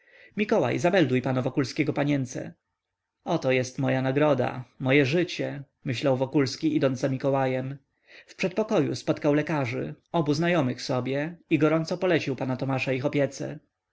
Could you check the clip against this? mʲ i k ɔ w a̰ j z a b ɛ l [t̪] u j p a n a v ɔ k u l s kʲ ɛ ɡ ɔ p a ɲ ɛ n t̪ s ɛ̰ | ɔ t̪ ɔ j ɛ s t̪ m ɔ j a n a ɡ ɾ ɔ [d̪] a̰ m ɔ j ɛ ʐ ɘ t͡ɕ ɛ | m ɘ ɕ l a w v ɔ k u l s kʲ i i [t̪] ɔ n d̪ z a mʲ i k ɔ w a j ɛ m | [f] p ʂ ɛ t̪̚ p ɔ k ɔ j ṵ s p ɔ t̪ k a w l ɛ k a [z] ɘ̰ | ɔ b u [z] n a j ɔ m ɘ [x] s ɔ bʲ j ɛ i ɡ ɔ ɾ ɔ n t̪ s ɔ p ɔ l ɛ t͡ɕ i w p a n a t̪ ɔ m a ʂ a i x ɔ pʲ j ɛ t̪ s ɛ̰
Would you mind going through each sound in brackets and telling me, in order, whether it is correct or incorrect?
incorrect: d̪, correct, incorrect: d̪, correct, incorrect: ʐ, correct, correct

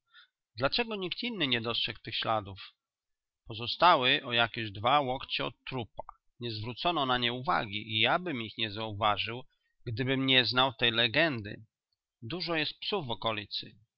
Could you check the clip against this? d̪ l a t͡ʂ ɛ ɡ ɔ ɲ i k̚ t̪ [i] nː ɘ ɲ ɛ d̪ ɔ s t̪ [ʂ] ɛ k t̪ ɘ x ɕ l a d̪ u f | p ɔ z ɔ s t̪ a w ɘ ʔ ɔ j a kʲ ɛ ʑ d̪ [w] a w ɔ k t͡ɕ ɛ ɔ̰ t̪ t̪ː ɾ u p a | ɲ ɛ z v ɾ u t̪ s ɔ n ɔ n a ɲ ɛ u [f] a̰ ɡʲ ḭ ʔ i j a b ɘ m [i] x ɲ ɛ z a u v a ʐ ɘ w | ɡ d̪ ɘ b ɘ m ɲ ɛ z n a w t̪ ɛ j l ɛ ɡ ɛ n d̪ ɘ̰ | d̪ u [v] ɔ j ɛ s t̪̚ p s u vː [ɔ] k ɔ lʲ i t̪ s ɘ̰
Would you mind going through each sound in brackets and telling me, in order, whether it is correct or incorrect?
correct, correct, incorrect: v, incorrect: v, correct, incorrect: ʐ, correct

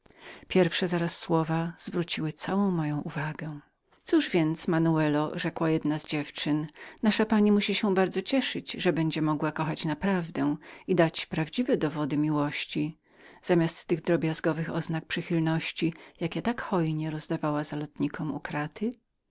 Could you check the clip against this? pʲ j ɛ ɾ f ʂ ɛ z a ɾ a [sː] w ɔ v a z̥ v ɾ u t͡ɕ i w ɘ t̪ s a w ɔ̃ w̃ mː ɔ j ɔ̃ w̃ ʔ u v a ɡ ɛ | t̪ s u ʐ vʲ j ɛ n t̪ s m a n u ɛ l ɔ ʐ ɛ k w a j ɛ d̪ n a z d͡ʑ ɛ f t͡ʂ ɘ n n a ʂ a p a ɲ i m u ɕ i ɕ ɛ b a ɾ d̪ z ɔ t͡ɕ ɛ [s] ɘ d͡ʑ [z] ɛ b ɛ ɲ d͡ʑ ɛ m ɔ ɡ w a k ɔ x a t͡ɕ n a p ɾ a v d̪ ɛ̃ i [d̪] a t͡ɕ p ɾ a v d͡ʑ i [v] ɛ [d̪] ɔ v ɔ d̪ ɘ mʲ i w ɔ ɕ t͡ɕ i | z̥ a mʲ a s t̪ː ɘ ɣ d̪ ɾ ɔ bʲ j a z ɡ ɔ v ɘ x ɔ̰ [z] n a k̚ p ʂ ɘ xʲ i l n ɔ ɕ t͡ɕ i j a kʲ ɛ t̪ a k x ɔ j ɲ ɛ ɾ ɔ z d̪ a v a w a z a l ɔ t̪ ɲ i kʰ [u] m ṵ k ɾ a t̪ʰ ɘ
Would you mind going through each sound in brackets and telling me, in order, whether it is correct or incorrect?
correct, incorrect: ʂ, incorrect: ʐ, correct, correct, correct, correct, incorrect: ɔ

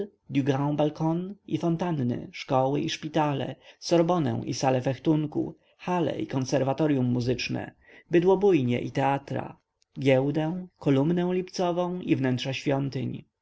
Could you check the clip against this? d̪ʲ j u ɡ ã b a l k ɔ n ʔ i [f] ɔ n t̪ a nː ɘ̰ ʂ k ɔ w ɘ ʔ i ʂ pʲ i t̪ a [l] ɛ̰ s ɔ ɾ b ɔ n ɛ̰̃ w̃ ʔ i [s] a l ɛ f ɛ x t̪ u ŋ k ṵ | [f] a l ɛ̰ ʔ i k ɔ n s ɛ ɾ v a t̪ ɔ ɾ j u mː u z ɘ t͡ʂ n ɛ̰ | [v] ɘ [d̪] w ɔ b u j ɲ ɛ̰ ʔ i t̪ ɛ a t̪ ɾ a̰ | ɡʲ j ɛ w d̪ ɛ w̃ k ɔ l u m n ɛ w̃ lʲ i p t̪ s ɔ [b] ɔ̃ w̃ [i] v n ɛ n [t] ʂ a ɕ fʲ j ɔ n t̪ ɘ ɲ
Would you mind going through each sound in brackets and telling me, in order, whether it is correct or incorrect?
correct, correct, correct, incorrect: x, incorrect: b, correct, incorrect: v, correct, correct

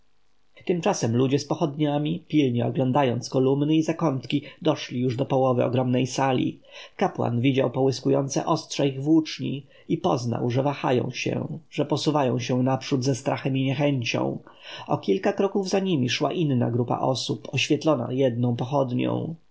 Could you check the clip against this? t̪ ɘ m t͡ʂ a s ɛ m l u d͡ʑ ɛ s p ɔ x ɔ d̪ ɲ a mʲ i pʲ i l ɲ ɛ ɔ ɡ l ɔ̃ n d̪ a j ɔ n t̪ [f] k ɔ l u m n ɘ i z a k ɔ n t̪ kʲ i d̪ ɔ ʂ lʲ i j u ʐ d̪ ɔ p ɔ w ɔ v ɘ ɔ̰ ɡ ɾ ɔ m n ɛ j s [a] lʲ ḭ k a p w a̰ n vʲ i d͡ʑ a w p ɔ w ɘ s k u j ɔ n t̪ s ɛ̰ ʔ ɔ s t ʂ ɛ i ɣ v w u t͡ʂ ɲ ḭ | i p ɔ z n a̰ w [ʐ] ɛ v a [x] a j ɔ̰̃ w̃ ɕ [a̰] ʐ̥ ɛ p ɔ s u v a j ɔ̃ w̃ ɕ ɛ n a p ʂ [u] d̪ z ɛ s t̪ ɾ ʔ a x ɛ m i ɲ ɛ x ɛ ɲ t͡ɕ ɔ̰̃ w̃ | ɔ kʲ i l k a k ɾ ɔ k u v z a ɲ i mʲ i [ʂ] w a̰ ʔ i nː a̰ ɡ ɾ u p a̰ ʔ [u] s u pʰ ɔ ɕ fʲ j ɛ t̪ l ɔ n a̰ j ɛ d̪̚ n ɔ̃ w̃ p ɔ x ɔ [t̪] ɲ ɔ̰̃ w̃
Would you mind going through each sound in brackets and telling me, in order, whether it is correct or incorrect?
incorrect: s, correct, correct, correct, incorrect: ɛ̰, correct, correct, incorrect: ɔ, incorrect: d̪

